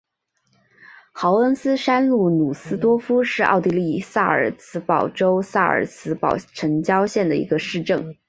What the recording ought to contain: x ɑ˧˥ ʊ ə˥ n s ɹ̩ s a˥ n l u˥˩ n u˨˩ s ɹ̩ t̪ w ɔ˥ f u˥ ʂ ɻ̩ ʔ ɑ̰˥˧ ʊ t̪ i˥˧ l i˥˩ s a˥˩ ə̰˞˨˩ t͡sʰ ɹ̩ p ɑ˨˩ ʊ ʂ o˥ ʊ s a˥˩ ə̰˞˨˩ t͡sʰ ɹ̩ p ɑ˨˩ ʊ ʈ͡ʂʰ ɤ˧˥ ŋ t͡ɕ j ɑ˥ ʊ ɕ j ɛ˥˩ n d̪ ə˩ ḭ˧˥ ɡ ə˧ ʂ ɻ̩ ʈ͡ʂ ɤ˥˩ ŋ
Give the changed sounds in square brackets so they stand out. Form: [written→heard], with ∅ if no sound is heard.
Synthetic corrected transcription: x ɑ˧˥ ʊ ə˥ n s ɹ̩ [s→ʂ] a˥ n l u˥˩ n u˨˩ s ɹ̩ t̪ w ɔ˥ f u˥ ʂ ɻ̩ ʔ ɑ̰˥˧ ʊ t̪ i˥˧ l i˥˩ s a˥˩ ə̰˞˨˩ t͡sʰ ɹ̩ p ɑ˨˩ ʊ [ʂ→ʈ͡ʂ] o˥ ʊ s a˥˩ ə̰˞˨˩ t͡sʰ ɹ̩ p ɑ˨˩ ʊ ʈ͡ʂʰ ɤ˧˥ ŋ t͡ɕ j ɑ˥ ʊ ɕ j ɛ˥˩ n d̪ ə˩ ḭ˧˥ ɡ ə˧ ʂ ɻ̩ ʈ͡ʂ ɤ˥˩ ŋ

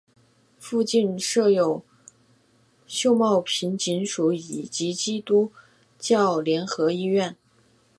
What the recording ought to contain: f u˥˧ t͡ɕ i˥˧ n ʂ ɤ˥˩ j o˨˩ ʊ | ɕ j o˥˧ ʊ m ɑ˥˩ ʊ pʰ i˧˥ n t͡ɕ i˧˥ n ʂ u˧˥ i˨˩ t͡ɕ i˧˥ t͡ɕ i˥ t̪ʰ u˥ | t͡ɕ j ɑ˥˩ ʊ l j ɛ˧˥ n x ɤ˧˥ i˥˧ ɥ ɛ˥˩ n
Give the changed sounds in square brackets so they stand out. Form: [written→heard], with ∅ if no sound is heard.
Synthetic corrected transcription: f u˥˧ t͡ɕ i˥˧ n ʂ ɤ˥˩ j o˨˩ ʊ | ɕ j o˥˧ ʊ m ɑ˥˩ ʊ pʰ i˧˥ n t͡ɕ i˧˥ n ʂ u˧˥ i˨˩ t͡ɕ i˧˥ t͡ɕ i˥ [t̪ʰ→t̪] u˥ | t͡ɕ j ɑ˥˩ ʊ l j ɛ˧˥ n x ɤ˧˥ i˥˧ ɥ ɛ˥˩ n

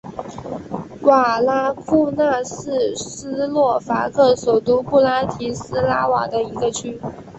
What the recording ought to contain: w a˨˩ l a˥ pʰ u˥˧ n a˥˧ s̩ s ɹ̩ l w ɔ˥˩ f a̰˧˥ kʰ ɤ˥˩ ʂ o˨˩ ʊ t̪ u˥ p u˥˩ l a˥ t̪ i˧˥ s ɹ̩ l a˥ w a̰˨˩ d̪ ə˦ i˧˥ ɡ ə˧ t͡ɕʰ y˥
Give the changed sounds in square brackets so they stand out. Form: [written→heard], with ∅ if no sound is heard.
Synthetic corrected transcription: w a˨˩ l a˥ [pʰ→kʰ] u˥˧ n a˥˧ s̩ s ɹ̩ l w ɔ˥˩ f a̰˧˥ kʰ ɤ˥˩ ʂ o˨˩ ʊ t̪ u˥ p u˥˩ l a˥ [t̪→t̪ʰ] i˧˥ s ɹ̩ l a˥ w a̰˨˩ d̪ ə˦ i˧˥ ɡ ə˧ t͡ɕʰ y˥

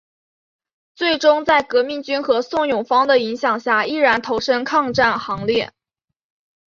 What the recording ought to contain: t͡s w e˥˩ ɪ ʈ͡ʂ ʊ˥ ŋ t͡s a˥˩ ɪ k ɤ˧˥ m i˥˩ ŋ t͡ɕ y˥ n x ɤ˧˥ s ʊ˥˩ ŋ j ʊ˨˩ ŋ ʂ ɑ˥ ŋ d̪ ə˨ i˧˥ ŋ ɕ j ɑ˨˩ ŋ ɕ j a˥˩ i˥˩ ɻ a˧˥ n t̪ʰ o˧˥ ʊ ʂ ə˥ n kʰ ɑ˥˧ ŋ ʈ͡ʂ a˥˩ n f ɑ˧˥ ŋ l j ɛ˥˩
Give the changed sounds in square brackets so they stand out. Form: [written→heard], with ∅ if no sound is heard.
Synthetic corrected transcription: t͡s w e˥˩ ɪ ʈ͡ʂ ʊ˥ ŋ t͡s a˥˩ ɪ k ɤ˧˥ m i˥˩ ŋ t͡ɕ y˥ n x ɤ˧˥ s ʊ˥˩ ŋ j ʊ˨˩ ŋ [ʂ→f] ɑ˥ ŋ d̪ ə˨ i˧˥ ŋ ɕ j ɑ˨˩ ŋ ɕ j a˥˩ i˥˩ ɻ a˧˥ n t̪ʰ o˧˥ ʊ ʂ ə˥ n kʰ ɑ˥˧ ŋ ʈ͡ʂ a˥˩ n [f→x] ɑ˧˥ ŋ l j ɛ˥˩

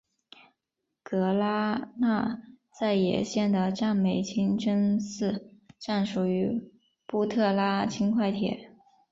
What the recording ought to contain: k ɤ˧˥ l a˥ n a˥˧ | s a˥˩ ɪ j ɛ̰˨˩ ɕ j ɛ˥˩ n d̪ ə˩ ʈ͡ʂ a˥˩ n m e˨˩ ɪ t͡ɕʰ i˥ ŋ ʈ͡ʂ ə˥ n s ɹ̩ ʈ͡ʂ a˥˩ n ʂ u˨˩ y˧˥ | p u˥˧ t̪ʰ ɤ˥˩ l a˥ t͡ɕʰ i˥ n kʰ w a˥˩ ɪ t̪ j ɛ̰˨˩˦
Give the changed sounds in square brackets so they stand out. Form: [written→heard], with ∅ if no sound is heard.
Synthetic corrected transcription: k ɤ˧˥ l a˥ n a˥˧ | [s→t͡s] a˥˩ ɪ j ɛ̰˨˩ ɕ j ɛ˥˩ n d̪ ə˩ ʈ͡ʂ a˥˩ n m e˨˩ ɪ t͡ɕʰ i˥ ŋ ʈ͡ʂ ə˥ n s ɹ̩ ʈ͡ʂ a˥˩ n ʂ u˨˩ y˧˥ | p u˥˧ t̪ʰ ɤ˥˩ l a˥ t͡ɕʰ i˥ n kʰ w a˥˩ ɪ [t̪→t̪ʰ] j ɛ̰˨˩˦

